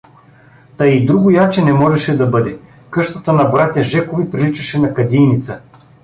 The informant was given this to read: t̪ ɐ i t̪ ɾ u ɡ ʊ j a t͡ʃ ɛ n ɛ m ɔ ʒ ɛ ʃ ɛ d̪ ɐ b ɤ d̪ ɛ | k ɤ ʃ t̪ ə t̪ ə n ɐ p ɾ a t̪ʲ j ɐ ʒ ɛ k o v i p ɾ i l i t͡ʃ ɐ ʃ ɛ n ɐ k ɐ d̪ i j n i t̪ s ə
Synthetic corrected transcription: t̪ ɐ i d̪ ɾ u ɡ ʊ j a t͡ʃ ɛ n ɛ m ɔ ʒ ɛ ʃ ɛ d̪ ɐ b ɤ d̪ ɛ | k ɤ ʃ t̪ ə t̪ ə n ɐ b ɾ a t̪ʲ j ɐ ʒ ɛ k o v i p ɾ i l i t͡ʃ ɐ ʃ ɛ n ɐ k ɐ d̪ i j n i t̪ s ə